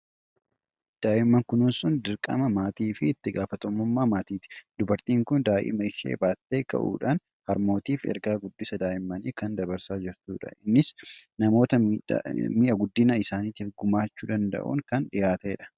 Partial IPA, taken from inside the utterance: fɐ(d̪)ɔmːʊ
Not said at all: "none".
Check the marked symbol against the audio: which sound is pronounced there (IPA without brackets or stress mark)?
t̪